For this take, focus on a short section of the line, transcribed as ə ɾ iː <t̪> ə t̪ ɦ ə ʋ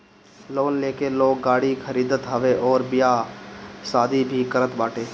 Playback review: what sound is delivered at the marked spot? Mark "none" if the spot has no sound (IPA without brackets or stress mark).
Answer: d̪